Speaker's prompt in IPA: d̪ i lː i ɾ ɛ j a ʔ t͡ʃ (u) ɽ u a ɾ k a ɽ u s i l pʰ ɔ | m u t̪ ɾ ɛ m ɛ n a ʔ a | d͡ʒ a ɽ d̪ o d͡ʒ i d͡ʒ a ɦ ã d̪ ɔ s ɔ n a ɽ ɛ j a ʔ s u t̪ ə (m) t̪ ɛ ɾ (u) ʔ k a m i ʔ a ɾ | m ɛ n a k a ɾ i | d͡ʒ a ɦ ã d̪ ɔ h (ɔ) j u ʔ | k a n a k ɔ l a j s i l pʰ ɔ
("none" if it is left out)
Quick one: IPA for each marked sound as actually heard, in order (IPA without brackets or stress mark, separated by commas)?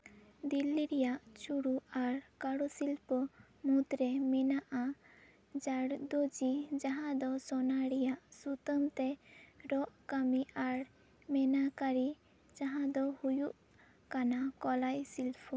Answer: u, m, ɔ, u